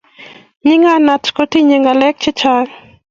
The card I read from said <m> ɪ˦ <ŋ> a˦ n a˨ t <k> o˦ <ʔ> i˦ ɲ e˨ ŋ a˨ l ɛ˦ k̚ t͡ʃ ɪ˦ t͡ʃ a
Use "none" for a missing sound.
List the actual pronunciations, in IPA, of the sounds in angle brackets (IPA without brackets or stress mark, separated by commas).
ɲ, ŋ, k, t